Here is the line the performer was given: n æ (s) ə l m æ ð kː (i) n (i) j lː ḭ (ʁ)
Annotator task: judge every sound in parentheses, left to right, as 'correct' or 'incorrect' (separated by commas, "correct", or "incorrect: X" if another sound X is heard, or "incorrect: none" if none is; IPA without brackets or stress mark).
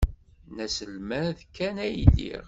correct, incorrect: æ, incorrect: æ, correct